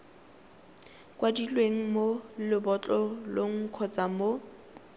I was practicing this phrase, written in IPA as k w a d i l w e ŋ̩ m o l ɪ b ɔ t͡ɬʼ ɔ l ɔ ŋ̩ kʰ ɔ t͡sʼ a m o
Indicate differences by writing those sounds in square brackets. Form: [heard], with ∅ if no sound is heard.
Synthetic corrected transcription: k w a d i l w e ŋ̩ m o l ɪ b ɔ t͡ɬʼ ɔ l [o] ŋ̩ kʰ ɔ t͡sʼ a m o